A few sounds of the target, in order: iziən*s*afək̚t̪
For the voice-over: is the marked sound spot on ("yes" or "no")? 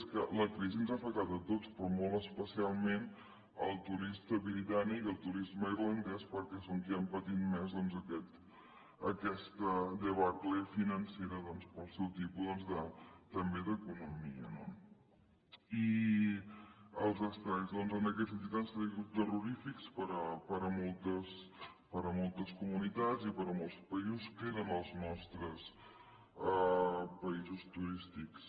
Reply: no